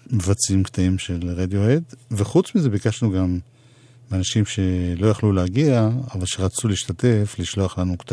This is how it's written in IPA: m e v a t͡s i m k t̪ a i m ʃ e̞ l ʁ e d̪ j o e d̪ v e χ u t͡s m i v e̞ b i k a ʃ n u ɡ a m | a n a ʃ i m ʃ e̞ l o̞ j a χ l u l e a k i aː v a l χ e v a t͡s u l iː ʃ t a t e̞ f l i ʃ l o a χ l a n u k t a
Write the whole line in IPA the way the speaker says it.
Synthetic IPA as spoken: m e v a t͡s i m k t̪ a i m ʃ e̞ l ʁ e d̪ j o e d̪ v e χ u t͡s m i z e̞ b i k a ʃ n u ɡ a m | a n a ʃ i m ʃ e̞ l o̞ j a χ l u l e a ɡ i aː v a l ʃ e ʁ a t͡s u l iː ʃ t a t e̞ f l i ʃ l o a χ l a n u k t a